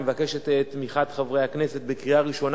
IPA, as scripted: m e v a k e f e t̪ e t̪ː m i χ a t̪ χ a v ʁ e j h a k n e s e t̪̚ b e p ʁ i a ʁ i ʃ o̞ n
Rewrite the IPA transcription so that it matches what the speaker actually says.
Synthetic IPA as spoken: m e v a k e ʃ e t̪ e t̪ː m i χ a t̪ χ a v ʁ e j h a k n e s e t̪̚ b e k ʁ i a ʁ i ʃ o̞ n